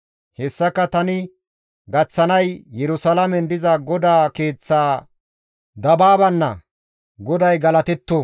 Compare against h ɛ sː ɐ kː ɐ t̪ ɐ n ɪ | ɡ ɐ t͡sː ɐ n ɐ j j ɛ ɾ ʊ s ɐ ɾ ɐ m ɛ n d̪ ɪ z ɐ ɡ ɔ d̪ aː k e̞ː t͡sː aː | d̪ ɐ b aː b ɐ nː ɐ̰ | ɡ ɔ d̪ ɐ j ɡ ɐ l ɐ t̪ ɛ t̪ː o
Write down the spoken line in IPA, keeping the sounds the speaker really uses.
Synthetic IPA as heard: h ɛ sː ɐ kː ɐ t̪ ɐ n ɪ | ɡ ɐ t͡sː ɐ n ɐ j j ɛ ɾ ʊ s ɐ l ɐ m ɛ n d̪ ɪ z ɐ ɡ ɔ d̪ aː k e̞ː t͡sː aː | d̪ ɐ b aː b ɐ nː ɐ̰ | ɡ ɔ d̪ ɐ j ɡ ɐ l ɐ t̪ ɛ t̪ː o